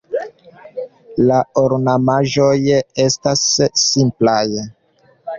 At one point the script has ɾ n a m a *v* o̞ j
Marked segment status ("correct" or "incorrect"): incorrect